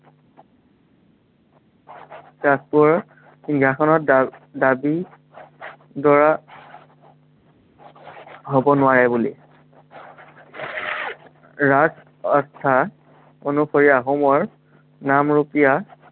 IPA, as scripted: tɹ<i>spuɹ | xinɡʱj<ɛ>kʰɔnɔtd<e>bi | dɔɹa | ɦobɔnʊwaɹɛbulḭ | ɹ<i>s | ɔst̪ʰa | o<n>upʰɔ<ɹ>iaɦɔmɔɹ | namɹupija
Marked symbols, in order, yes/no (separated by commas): no, no, no, no, yes, yes